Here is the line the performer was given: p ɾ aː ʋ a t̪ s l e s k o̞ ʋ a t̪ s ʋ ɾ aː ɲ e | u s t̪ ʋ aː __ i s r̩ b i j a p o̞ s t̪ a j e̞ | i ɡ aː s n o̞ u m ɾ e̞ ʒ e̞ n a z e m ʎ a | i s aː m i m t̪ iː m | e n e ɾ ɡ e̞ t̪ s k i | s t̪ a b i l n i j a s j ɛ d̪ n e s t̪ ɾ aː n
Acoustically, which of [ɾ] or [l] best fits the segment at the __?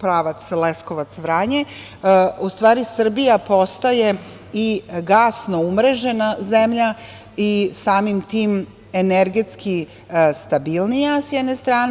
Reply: ɾ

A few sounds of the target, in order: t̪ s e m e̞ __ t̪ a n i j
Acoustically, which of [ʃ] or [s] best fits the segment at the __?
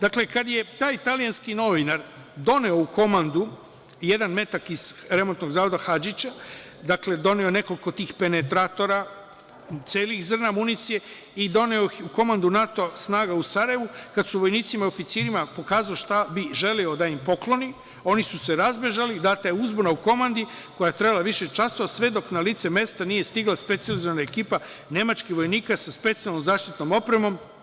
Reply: s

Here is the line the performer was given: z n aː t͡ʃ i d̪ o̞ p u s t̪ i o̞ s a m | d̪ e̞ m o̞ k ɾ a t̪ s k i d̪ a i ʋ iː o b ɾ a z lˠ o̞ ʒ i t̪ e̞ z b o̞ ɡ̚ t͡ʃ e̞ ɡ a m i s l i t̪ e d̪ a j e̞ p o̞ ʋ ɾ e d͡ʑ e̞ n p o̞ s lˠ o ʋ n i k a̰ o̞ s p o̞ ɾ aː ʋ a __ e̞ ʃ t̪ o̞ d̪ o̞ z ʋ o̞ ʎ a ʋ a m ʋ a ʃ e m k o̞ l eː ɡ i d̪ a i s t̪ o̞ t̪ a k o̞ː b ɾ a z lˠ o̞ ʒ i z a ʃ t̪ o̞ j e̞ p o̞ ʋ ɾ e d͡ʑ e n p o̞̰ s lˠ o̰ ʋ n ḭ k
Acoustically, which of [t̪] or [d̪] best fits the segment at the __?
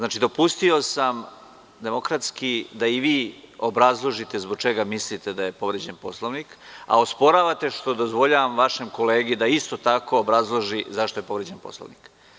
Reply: t̪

